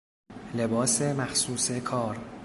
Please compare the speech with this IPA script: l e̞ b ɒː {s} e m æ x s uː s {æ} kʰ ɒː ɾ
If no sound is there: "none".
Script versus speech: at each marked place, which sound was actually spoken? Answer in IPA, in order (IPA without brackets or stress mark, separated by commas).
s, e